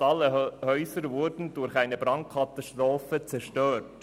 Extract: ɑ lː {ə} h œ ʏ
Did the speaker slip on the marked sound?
no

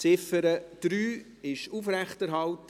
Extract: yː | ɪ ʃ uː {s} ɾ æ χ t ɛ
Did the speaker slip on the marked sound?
yes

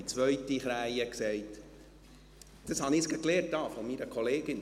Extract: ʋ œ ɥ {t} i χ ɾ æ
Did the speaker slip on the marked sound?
no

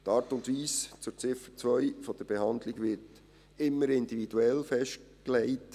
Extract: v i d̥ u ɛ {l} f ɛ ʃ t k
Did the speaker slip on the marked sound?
no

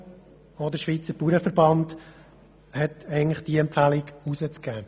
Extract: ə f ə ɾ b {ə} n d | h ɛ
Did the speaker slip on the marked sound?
yes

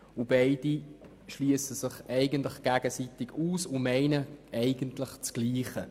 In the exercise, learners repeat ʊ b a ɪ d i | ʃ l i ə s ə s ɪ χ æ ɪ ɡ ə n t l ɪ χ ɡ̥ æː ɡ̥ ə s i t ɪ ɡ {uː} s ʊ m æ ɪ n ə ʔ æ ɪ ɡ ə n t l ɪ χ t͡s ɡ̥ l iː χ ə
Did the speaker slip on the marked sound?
no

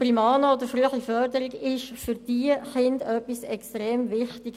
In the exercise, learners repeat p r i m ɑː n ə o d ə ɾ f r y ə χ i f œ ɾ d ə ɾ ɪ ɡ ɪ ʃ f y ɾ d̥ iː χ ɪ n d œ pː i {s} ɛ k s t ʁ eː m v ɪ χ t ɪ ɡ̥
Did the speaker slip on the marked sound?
no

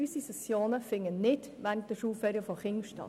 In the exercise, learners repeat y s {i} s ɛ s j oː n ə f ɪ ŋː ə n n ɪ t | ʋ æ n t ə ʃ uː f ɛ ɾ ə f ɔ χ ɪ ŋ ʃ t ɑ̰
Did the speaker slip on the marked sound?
no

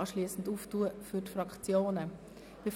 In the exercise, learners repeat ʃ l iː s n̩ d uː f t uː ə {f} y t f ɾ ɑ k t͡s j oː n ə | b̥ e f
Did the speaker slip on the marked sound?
no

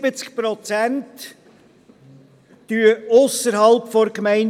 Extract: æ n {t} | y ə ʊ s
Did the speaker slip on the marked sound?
no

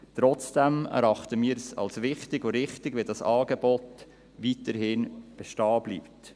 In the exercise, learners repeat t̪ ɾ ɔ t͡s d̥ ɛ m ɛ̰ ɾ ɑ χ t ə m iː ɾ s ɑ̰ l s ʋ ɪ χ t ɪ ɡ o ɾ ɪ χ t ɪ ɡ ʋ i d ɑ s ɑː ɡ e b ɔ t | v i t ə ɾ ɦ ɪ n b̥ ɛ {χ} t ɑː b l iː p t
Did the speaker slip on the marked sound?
yes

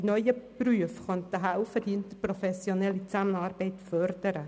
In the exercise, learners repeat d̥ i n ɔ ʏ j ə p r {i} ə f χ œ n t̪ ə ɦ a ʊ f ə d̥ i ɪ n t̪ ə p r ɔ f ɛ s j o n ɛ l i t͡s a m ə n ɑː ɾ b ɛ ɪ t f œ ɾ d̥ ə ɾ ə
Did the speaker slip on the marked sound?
yes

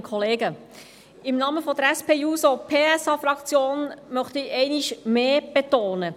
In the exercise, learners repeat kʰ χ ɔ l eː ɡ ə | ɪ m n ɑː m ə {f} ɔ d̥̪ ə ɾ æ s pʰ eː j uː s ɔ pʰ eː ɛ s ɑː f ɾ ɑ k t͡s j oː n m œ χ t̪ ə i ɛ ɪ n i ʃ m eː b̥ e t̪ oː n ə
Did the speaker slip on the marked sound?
no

